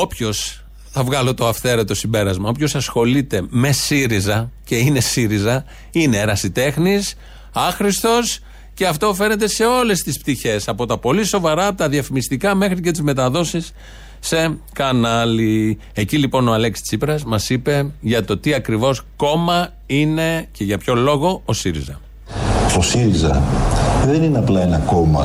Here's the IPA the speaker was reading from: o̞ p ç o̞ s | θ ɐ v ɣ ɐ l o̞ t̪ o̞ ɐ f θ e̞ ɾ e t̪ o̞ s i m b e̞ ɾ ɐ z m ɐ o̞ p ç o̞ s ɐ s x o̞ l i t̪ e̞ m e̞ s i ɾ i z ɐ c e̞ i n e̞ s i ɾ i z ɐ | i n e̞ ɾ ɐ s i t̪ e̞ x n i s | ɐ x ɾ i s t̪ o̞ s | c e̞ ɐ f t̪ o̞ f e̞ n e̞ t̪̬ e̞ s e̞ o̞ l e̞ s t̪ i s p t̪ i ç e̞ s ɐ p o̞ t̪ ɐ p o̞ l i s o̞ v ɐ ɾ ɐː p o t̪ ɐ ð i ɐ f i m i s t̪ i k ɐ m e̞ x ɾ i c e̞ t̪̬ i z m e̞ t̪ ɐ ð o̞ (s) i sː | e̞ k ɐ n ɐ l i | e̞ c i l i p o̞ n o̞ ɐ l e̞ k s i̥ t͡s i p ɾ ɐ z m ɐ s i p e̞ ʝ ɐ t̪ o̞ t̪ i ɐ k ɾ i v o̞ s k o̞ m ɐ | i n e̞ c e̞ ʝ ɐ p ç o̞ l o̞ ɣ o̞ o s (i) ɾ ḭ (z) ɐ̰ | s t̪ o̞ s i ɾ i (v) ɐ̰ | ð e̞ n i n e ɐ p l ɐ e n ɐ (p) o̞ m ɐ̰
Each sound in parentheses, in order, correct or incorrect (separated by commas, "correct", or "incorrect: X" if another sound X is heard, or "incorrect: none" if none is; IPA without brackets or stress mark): correct, correct, correct, incorrect: z, incorrect: k